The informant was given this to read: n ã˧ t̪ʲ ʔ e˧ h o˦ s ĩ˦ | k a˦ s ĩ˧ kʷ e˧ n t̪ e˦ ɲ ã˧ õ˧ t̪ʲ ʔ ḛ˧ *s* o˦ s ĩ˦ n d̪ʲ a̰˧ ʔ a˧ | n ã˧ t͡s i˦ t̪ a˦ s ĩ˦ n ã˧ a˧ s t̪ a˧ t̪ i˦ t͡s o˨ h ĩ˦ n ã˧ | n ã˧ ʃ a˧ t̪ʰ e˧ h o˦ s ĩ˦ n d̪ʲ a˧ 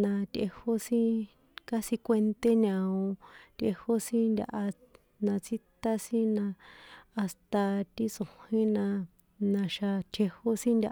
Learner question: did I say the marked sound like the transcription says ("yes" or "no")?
no